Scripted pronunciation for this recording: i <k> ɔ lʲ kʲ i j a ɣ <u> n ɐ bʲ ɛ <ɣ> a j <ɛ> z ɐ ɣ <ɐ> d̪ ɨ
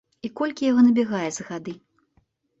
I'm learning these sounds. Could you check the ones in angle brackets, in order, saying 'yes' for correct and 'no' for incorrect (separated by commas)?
yes, no, yes, yes, no